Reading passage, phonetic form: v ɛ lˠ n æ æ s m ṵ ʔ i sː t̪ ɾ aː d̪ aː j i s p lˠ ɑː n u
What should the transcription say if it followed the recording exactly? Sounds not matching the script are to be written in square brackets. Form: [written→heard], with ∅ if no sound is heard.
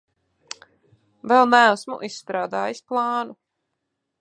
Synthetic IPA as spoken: v ɛ lˠ n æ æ s m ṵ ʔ i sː t̪ ɾ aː d̪ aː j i s p lˠ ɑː n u

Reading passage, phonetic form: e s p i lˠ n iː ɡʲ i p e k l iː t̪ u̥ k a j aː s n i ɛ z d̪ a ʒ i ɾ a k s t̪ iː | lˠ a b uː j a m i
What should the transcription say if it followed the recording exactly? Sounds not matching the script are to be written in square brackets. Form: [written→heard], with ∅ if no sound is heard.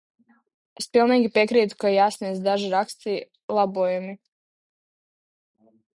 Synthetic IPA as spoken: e s p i lˠ n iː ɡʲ i p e k [l→ɾ] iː t̪ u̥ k a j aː s n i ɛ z d̪ a ʒ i ɾ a k s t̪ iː | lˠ a b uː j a m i

